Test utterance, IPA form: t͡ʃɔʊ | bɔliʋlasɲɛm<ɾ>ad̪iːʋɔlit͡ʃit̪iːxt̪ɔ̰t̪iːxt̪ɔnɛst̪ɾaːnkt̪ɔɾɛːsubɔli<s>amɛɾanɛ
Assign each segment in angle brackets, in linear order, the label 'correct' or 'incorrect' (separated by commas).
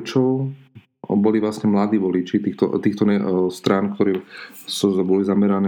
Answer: incorrect, incorrect